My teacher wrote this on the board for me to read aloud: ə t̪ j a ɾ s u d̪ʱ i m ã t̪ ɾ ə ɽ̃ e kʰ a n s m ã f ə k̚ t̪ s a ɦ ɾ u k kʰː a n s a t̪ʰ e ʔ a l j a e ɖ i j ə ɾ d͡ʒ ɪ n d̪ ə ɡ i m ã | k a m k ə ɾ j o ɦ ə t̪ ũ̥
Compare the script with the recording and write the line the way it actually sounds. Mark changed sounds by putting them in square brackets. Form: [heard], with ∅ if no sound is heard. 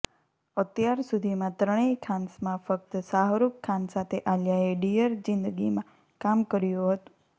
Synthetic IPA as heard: ə t̪ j a ɾ s u d̪ʱ i m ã t̪ ɾ ə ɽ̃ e kʰ a n s m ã f ə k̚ t̪ s a ɦ ɾ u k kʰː a n s a t̪ʰ e ʔ a l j a e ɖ i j ə ɾ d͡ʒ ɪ n d̪ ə ɡ i m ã | k a m k ə ɾ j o ɦ ə t̪ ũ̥